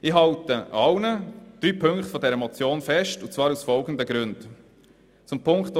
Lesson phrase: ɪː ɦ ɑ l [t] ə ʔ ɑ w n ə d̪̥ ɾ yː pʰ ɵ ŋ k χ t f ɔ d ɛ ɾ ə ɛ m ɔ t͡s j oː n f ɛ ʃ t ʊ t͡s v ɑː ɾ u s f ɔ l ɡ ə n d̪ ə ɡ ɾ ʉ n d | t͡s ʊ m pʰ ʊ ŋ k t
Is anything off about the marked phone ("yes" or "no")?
no